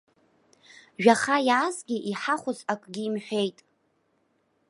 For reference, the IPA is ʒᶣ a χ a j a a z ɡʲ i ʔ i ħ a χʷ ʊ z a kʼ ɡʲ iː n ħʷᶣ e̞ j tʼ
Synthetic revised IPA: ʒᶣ a χ a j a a z ɡʲ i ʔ i ħ a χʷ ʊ z a kʼ ɡʲ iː m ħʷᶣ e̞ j tʼ

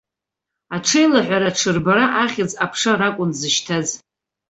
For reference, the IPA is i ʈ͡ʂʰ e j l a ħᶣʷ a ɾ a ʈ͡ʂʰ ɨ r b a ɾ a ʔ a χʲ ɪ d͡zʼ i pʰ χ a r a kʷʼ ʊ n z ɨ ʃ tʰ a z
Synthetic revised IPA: a ʈ͡ʂʰ e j l a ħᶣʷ a ɾ a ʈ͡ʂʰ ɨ r b a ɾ a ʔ a χʲ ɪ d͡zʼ a pʰ ʂ a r a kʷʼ ʊ n z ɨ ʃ tʰ a z

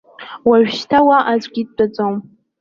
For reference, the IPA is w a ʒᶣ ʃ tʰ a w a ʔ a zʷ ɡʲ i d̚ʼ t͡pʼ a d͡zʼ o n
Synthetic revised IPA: w a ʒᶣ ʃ tʰ a w a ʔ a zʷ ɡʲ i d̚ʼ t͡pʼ a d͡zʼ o m

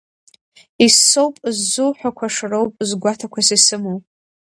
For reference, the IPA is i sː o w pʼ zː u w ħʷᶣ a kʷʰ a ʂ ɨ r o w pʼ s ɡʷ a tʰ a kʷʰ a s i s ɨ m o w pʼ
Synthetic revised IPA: i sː o w pʼ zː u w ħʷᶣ a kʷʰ a ʂ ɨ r o w pʼ z ɡʷ a tʰ a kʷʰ a s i s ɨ m o w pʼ

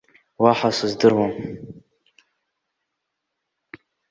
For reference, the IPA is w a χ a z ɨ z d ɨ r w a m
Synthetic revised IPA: w a ħ a s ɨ z d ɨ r w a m

